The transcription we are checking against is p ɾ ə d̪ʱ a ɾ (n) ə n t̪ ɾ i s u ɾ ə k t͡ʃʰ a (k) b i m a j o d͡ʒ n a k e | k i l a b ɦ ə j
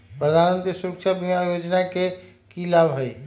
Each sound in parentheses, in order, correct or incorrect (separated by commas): incorrect, incorrect